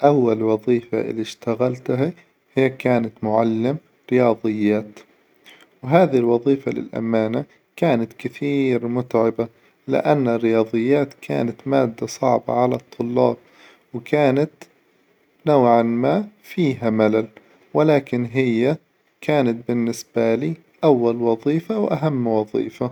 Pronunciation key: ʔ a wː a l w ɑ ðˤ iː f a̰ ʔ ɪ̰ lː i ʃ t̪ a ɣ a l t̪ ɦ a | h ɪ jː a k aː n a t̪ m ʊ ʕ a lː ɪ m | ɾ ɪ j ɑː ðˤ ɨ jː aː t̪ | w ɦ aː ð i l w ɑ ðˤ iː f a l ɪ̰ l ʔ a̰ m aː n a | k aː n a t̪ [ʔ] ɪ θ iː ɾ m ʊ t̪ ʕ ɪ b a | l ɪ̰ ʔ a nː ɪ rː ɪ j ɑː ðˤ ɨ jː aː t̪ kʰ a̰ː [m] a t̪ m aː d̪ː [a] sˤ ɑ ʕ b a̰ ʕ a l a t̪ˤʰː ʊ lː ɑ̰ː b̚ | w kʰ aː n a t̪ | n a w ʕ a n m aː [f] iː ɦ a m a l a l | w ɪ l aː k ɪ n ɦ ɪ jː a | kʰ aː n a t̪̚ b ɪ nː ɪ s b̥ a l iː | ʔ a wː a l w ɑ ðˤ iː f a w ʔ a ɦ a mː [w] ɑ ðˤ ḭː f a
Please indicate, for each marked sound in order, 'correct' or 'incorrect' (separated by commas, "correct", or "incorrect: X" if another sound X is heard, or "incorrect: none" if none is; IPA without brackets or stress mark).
incorrect: k, incorrect: n, correct, correct, correct